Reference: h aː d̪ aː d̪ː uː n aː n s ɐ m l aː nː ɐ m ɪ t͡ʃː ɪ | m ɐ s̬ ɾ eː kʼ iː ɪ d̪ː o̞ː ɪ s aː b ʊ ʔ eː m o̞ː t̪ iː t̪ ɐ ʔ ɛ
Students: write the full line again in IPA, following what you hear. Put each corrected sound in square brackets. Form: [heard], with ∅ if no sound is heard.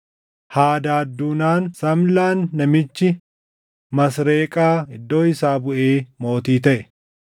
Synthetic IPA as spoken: h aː d̪ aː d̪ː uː n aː n s ɐ m l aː nː ɐ m ɪ t͡ʃː ɪ | m ɐ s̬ ɾ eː kʼ [aː] ɪ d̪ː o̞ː ɪ s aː b ʊ ʔ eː m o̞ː t̪ iː t̪ ɐ ʔ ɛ